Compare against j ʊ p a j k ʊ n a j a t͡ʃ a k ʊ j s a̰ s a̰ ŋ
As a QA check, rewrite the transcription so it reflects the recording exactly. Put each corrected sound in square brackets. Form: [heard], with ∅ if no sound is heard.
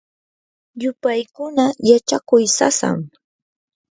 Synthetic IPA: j ʊ p a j k ʊ n a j a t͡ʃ a k ʊ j s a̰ s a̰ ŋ

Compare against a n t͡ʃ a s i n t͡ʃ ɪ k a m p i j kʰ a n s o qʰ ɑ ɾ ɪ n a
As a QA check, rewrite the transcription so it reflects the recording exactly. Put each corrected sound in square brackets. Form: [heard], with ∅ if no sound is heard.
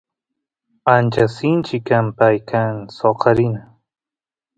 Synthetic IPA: a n t͡ʃ a s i n t͡ʃ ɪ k a m p [a] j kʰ a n s o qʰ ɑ ɾ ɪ n a

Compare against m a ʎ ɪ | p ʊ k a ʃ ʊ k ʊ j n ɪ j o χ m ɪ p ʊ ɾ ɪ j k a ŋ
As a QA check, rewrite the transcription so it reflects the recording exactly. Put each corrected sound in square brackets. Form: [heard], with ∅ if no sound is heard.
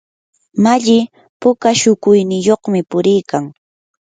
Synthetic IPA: m a ʎ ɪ | p ʊ k a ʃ ʊ k ʊ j n ɪ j o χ m ɪ p ʊ ɾ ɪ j k a ŋ

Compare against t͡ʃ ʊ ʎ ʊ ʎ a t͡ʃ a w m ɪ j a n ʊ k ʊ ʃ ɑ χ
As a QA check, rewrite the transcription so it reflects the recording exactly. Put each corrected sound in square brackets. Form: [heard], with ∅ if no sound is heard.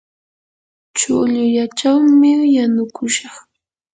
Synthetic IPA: t͡ʃ ʊ ʎ ʊ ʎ a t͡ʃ a w m ɪ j a n ʊ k ʊ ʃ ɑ χ

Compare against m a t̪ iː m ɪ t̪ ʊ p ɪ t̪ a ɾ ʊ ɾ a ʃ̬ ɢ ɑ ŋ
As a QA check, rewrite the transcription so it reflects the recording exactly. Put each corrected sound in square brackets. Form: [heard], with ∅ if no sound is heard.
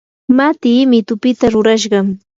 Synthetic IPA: m a t̪ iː m ɪ t̪ ʊ p ɪ t̪ a ɾ ʊ ɾ a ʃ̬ ɢ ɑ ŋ

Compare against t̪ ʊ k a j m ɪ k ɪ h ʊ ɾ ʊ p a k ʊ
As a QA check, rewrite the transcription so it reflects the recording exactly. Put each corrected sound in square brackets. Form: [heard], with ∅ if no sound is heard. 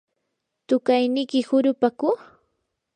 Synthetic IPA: t̪ ʊ k a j [n] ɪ k ɪ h ʊ ɾ ʊ p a k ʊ

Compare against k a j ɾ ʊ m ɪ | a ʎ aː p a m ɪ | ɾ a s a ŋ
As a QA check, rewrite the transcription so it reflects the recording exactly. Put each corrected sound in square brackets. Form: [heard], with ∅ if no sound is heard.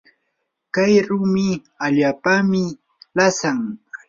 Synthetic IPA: k a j ɾ ʊ m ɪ | a ʎ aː p a m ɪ | [l] a s a ŋ

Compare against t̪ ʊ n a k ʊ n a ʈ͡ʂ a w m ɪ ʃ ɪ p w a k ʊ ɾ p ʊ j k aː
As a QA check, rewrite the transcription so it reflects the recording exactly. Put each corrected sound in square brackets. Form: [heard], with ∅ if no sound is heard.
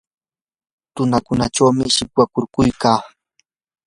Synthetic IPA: t̪ ʊ n a k ʊ n a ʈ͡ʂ a w m ɪ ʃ ɪ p w a k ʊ ɾ [k] ʊ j k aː

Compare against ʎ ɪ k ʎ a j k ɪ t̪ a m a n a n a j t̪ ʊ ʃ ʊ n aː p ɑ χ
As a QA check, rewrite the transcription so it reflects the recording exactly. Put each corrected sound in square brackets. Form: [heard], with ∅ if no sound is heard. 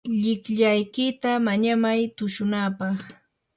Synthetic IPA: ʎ ɪ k ʎ a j k ɪ t̪ a m a [ɲ] a [m] a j t̪ ʊ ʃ ʊ n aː p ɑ χ

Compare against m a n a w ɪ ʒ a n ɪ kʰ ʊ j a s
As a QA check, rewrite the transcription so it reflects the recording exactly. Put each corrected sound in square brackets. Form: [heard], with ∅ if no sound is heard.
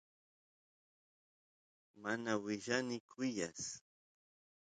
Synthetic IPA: m a n a w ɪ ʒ a n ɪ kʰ ʊ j a s

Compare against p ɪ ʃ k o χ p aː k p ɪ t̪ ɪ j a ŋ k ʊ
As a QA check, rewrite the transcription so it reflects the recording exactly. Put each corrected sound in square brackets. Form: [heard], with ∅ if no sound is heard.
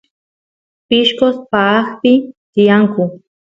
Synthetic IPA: p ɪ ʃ k o [s] p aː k p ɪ t̪ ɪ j a ŋ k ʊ

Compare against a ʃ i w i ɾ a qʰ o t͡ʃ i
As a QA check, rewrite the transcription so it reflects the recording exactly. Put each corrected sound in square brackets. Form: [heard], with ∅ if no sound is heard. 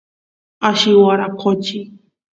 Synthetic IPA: a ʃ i w [a] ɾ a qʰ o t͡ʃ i

